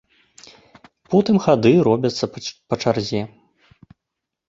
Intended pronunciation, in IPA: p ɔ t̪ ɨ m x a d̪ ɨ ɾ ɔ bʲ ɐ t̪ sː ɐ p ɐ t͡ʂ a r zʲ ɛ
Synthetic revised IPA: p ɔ t̪ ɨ m x a d̪ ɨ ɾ ɔ bʲ ɐ t̪ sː ɐ p ɐ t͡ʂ a r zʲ ɛ